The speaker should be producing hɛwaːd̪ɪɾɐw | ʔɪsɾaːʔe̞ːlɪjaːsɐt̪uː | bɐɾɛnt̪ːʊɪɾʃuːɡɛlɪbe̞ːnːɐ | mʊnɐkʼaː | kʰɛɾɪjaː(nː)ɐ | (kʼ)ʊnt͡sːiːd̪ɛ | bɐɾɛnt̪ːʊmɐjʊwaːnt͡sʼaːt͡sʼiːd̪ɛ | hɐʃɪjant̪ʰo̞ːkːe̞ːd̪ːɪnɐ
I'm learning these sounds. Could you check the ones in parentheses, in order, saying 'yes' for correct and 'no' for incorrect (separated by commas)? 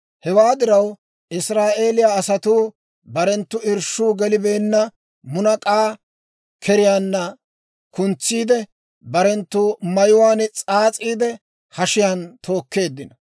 yes, no